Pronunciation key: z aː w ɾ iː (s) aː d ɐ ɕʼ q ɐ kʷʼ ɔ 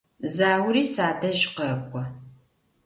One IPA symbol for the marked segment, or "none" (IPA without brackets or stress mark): s